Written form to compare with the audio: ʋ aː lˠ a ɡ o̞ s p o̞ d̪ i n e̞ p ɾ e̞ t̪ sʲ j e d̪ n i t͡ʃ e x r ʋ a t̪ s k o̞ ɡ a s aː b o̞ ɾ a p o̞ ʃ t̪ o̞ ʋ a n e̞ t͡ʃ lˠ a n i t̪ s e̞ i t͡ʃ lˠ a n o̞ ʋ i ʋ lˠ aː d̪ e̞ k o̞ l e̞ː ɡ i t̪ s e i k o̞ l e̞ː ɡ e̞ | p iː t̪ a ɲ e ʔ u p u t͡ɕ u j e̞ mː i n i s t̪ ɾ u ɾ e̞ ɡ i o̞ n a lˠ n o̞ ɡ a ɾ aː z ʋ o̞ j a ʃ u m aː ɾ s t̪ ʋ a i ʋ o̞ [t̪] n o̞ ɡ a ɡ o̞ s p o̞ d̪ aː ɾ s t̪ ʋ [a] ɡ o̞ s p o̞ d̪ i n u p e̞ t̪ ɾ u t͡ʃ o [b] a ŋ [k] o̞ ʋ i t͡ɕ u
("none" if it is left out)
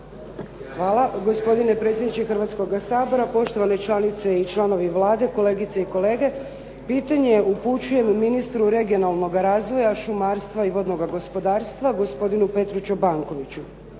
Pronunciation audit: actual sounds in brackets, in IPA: d̪, a, b, k

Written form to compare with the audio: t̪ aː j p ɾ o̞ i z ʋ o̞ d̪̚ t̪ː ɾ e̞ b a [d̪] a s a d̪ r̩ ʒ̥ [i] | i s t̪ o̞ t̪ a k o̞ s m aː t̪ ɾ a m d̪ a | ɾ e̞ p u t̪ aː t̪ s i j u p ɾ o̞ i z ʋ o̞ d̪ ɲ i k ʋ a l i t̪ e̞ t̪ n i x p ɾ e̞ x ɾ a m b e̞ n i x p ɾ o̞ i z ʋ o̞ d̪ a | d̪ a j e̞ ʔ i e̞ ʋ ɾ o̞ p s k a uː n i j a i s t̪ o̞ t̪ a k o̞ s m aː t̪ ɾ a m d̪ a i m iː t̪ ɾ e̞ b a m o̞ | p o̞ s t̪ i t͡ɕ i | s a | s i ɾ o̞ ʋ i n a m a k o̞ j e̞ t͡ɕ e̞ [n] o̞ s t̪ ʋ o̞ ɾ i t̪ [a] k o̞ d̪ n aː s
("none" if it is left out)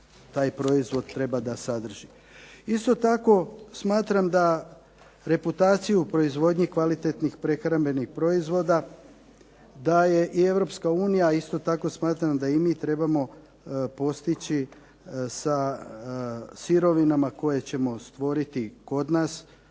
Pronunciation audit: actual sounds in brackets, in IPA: d̪, i, m, i

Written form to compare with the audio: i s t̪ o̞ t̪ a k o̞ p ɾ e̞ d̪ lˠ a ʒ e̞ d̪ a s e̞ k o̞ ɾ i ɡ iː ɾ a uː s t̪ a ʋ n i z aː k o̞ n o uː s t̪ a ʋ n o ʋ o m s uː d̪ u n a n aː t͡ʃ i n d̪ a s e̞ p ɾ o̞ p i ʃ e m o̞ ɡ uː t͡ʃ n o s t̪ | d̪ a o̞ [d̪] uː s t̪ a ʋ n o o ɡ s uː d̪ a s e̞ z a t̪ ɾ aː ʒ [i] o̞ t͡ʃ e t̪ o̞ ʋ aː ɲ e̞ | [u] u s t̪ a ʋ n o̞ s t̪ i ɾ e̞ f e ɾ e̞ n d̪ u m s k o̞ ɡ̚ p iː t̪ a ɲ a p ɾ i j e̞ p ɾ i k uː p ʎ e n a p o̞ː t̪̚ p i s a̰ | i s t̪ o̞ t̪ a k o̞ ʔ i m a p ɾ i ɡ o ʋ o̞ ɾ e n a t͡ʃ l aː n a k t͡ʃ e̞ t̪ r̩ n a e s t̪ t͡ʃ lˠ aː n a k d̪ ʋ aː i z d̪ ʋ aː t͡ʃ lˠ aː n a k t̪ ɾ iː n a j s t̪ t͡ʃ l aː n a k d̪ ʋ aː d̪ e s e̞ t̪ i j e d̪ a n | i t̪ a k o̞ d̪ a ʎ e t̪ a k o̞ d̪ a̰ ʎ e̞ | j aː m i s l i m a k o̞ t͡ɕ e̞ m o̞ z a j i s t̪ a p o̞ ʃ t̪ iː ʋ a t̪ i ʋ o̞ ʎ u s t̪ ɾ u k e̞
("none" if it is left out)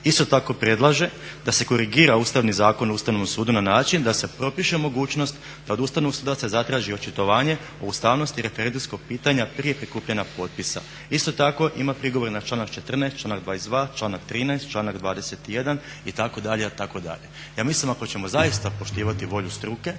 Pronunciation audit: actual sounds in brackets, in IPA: d̪, i, o

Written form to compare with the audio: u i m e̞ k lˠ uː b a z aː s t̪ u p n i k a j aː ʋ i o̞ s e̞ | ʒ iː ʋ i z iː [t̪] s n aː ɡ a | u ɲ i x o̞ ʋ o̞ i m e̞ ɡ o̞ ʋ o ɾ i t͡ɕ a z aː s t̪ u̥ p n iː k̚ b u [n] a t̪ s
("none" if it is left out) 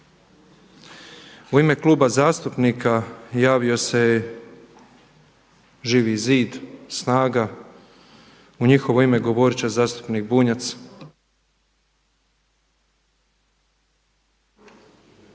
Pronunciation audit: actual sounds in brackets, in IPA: d̪, ɲ

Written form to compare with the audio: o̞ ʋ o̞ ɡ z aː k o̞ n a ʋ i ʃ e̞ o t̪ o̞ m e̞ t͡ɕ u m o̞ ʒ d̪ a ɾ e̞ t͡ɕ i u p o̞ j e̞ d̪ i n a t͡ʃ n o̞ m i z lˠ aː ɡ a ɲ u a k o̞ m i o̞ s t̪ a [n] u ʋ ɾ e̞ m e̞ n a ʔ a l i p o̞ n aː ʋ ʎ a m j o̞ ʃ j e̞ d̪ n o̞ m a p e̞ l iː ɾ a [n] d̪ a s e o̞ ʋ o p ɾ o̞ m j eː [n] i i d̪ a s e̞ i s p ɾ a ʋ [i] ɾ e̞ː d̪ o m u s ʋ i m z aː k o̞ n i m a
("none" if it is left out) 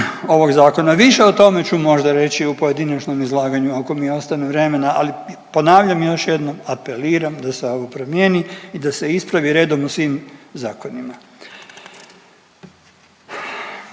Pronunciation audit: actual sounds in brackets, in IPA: n, m, n, i

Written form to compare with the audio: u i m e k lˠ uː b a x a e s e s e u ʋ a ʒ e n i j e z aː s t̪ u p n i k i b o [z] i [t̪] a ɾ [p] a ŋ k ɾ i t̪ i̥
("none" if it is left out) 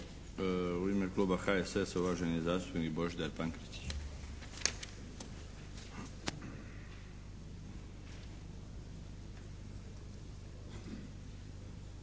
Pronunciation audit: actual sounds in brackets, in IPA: ʒ, d̪, p

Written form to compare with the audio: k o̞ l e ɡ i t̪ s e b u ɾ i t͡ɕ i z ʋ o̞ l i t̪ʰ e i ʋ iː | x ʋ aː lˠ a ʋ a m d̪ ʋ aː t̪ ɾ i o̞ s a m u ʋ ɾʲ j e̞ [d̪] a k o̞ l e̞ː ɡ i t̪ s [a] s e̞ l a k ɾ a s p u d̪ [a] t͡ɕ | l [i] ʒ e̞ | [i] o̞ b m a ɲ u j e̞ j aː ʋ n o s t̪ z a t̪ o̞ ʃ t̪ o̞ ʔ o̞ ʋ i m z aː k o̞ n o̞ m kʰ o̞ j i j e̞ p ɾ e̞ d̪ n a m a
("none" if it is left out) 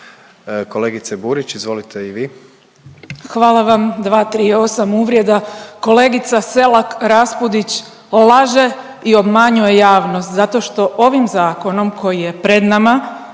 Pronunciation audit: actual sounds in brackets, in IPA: d̪, a, i, a, i

